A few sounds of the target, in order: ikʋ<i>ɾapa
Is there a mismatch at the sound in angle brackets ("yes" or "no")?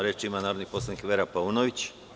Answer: yes